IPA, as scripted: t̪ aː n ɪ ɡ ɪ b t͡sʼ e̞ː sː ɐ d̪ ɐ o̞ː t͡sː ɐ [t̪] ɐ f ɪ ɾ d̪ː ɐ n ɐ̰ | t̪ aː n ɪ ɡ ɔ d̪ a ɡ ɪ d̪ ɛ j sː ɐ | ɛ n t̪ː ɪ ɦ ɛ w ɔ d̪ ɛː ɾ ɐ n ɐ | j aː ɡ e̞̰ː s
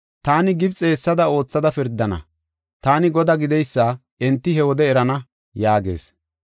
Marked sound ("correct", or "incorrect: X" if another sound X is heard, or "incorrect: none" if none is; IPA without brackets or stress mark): incorrect: d̪